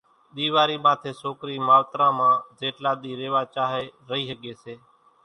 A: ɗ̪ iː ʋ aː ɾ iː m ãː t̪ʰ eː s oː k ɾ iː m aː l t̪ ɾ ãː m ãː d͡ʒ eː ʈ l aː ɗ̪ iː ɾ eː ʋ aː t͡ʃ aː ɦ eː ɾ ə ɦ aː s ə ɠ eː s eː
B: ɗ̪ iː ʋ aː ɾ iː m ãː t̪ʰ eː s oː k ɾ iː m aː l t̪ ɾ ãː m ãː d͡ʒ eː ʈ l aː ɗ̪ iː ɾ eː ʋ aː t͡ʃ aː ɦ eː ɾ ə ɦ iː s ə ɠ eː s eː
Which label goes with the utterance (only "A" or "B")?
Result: B